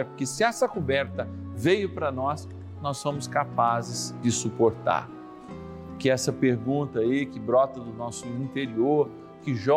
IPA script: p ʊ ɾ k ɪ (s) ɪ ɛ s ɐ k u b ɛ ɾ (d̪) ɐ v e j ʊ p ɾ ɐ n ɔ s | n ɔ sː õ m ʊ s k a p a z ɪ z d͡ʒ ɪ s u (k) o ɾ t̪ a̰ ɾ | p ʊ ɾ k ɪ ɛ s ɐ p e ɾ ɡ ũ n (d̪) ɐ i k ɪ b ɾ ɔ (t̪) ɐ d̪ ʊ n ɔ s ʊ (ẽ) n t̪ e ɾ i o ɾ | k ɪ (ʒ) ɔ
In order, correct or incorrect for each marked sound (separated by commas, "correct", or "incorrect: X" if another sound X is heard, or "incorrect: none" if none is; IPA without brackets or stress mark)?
correct, incorrect: t̪, incorrect: p, incorrect: t̪, correct, incorrect: ĩ, correct